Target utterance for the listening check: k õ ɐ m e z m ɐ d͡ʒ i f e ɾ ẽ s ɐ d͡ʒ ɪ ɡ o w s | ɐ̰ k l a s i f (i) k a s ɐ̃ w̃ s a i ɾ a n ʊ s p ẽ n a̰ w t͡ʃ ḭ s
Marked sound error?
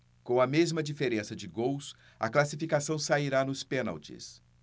no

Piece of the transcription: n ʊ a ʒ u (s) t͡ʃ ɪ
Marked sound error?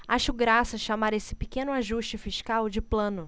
yes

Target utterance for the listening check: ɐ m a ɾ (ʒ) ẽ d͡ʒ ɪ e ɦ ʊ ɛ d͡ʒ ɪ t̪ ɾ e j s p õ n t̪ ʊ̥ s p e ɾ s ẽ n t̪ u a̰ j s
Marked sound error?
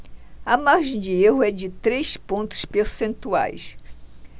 no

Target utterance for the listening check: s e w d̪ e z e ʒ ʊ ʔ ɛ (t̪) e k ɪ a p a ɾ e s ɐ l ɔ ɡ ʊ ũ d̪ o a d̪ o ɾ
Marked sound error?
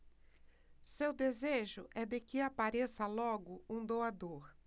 yes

